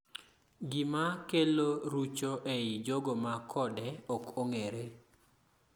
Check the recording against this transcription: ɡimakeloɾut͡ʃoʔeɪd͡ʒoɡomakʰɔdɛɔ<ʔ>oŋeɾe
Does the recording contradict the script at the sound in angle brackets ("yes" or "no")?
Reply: yes